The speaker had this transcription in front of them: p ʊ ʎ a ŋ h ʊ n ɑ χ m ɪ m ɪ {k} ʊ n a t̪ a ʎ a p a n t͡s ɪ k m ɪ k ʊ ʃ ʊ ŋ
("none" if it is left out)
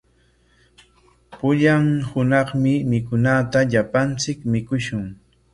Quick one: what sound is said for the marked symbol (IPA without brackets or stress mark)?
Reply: k